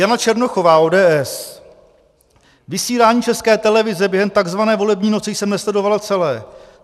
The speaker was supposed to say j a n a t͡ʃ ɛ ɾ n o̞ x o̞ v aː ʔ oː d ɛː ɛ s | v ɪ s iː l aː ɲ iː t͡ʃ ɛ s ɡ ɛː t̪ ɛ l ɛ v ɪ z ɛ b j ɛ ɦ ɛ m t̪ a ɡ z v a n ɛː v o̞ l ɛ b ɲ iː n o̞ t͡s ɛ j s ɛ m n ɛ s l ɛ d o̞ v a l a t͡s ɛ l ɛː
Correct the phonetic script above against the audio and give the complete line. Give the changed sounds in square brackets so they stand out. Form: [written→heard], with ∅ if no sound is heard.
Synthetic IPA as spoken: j a n a t͡ʃ ɛ ɾ n o̞ x o̞ v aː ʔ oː d ɛː ɛ s | v ɪ s iː l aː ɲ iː t͡ʃ ɛ s [ɡ→k] ɛː t̪ ɛ l ɛ v ɪ z ɛ b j ɛ ɦ ɛ m t̪ a ɡ z v a n ɛː v o̞ l ɛ b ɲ iː n o̞ t͡s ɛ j s ɛ m n ɛ s l ɛ d o̞ v a l a t͡s ɛ l ɛː